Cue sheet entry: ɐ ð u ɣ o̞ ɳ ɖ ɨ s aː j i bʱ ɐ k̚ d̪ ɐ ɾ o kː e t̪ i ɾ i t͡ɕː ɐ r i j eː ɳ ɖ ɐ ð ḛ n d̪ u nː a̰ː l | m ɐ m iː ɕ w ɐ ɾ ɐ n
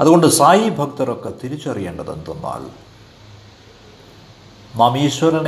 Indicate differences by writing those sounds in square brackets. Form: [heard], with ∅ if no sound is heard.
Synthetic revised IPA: ɐ ð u ɣ o̞ ɳ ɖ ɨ s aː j i bʱ ɐ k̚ [t̪] ɐ ɾ o kː e t̪ i ɾ i t͡ɕː ɐ r i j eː ɳ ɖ ɐ ð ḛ n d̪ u nː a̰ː l | m ɐ m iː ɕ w ɐ ɾ ɐ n